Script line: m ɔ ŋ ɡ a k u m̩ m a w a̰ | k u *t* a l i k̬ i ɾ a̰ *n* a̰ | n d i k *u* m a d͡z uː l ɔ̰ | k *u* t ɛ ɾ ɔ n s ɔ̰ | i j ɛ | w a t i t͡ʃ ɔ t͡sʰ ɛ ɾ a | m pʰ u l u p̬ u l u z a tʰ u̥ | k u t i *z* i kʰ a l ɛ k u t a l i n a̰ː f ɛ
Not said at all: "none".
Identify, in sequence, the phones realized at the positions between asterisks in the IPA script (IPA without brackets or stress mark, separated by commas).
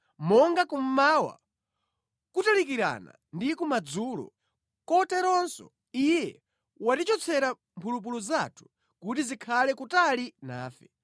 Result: t, n, u, ɔ, z